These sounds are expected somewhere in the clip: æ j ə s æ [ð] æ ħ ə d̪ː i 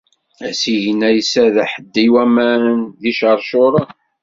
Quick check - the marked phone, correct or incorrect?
correct